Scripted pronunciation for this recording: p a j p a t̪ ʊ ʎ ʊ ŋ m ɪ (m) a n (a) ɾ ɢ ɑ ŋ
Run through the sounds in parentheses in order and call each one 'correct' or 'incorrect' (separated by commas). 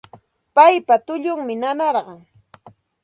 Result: incorrect, incorrect